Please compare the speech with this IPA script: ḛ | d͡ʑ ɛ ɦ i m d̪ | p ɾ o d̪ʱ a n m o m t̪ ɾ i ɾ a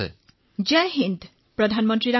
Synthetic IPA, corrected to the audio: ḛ | d͡ʑ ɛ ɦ i n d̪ | p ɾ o d̪ʱ a n m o n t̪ ɾ i ɾ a